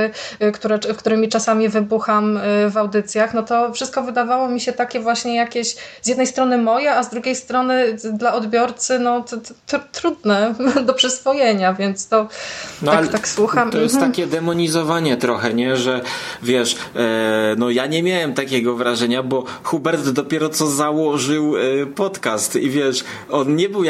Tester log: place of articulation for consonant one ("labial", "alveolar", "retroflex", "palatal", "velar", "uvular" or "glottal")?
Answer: velar